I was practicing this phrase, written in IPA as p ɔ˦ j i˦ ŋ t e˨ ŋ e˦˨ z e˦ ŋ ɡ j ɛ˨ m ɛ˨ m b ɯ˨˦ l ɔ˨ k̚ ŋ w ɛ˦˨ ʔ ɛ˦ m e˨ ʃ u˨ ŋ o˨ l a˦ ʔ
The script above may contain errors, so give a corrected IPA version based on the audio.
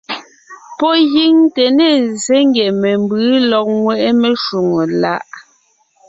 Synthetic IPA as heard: p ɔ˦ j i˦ ŋ t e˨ n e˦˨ z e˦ ŋ ɡ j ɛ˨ m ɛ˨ m b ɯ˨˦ l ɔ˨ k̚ ŋ w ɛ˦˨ ʔ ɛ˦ m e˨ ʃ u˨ ŋ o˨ l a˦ ʔ

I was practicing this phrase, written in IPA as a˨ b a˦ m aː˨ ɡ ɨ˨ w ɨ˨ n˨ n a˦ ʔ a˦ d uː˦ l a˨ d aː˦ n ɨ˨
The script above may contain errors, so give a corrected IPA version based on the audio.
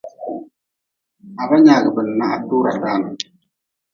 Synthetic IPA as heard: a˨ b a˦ ɲ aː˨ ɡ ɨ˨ b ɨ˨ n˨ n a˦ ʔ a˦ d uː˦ ɾ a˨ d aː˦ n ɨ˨

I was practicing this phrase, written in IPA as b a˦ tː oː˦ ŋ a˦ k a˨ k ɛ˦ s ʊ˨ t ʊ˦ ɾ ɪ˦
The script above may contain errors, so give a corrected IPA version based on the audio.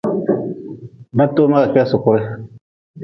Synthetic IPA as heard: b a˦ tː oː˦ m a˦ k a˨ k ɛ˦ s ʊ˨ k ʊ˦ ɾ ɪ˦

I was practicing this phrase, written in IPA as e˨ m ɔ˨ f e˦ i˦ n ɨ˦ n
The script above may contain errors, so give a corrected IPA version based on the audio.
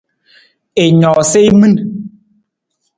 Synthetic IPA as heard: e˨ ɲ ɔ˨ s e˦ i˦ m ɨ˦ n

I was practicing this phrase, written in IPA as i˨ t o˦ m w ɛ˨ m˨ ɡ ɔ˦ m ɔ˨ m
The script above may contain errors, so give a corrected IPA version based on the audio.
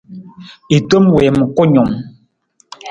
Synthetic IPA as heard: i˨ t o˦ m w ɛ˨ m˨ k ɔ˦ ɲ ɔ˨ m

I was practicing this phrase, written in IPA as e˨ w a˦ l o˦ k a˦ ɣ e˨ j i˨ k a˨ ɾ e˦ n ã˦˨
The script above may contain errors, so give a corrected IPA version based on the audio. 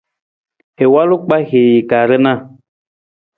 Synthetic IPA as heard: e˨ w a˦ l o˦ k͡p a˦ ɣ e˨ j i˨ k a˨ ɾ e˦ n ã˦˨

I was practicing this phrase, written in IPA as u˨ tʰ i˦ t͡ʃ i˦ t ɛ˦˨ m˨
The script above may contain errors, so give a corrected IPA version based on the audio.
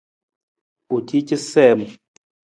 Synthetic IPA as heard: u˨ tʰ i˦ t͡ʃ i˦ s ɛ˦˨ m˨

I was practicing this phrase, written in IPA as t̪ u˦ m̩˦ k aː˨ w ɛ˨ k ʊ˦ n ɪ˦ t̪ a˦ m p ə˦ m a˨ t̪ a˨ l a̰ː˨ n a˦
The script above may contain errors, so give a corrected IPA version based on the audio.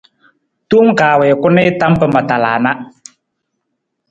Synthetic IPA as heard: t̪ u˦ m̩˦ k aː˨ w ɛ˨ k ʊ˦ n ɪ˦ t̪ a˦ m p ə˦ m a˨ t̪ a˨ l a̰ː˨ n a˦

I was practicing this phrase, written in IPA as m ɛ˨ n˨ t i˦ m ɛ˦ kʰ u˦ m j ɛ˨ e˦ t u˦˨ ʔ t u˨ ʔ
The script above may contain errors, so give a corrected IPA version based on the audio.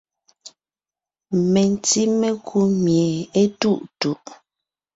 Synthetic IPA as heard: m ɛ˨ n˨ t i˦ m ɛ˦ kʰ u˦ m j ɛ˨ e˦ t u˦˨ ʔ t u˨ ʔ

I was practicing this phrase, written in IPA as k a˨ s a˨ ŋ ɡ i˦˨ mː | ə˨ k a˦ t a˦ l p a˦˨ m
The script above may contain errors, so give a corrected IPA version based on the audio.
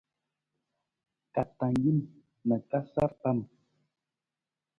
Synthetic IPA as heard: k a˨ t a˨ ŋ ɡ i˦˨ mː | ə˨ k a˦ s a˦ ɾ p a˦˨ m

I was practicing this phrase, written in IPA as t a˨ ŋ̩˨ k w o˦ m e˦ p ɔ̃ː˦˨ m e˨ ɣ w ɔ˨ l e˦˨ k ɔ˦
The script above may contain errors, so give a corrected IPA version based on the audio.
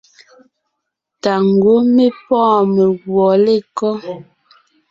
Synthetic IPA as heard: t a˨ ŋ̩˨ ɡ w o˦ m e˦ p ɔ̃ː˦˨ m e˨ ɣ w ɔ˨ l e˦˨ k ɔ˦

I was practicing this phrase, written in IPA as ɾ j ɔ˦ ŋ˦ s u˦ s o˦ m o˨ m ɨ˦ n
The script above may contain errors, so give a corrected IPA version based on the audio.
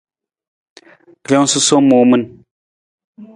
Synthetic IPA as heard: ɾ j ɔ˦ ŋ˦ s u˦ s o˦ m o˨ m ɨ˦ n

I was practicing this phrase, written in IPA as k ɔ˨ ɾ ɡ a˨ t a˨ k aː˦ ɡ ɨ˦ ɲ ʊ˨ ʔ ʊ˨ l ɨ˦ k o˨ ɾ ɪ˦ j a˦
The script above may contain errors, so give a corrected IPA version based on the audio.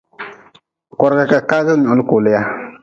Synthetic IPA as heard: k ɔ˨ ɾ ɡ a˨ k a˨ k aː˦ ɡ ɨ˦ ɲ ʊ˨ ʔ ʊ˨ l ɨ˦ k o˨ l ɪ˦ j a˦

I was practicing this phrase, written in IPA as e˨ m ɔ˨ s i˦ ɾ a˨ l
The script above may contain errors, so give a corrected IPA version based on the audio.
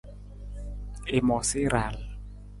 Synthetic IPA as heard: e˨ m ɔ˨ s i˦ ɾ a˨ l

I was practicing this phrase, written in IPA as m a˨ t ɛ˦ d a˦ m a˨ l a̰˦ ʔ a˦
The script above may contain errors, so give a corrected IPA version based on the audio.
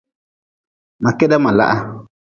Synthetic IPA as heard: m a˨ k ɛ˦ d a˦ m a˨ l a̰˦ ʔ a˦

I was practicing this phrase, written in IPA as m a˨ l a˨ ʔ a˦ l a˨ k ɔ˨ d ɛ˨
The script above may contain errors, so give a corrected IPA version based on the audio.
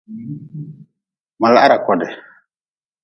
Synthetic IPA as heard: m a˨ l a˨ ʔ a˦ ɾ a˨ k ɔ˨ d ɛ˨

